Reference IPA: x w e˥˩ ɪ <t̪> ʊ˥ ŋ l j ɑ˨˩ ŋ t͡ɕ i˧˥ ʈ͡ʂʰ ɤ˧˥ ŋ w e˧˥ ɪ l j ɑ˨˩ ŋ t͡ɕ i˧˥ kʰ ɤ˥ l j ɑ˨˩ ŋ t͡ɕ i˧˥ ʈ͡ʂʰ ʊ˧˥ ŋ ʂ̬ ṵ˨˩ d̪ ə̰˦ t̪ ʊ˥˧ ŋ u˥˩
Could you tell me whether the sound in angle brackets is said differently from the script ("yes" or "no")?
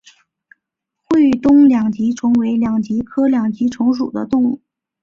no